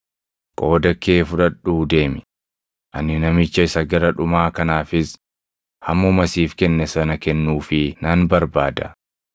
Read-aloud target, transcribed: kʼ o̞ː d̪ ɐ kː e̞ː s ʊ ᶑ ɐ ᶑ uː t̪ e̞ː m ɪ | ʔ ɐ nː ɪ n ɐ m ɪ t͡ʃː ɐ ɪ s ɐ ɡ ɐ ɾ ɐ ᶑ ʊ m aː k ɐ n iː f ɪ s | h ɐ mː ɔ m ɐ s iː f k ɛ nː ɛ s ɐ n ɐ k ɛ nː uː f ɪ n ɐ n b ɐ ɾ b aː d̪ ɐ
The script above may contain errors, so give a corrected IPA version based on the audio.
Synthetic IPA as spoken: kʼ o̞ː d̪ ɐ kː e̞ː f ʊ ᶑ ɐ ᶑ uː d̪ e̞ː m ɪ | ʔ ɐ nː ɪ n ɐ m ɪ t͡ʃː ɐ ɪ s ɐ ɡ ɐ ɾ ɐ ᶑ ʊ m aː k ɐ n aː f ɪ s | h ɐ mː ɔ m ɐ s iː f k ɛ nː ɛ s ɐ n ɐ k ɛ nː uː f ɪ n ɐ n b ɐ ɾ b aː d̪ ɐ